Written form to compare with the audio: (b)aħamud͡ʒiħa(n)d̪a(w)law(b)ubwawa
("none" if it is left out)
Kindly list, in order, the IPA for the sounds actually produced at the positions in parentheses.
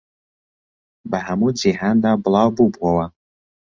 b, n, b, b

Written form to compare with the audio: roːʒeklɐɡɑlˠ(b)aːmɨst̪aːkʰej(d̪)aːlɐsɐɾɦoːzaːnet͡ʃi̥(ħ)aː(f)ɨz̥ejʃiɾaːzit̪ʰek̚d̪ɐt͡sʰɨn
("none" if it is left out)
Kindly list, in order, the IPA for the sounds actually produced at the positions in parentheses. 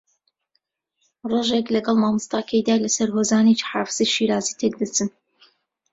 m, d̪, ħ, f

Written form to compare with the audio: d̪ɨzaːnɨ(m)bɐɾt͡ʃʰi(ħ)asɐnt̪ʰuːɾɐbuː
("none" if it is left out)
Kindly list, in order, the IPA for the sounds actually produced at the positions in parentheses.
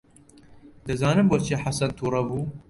m, ħ

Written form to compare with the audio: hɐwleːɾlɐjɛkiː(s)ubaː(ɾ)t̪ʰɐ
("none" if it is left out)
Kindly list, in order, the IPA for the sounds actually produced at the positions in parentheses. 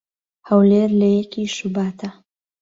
ʃ, none

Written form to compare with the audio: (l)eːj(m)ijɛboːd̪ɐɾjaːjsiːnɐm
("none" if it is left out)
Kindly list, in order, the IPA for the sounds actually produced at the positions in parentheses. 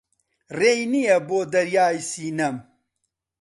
r, n

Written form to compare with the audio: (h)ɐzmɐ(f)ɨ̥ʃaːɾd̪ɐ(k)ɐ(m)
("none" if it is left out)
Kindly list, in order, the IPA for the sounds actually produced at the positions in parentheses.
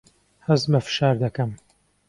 h, f, k, m

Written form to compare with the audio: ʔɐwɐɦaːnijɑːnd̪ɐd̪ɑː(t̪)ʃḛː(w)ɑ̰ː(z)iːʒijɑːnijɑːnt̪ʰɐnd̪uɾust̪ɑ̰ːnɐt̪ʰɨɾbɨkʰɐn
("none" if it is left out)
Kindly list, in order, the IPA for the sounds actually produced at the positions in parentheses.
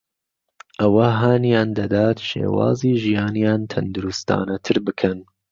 t̪, w, z

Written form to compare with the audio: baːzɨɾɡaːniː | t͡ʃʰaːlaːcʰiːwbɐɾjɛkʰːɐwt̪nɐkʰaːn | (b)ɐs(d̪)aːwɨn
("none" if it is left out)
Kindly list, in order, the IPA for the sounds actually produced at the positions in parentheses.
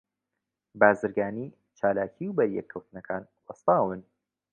w, t̪

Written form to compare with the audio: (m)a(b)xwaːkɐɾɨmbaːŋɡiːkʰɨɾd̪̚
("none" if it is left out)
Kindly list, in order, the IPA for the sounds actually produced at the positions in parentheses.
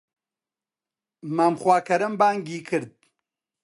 m, m

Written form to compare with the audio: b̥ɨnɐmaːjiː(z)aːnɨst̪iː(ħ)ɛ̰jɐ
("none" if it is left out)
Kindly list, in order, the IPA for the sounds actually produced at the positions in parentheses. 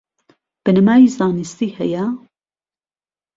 z, h

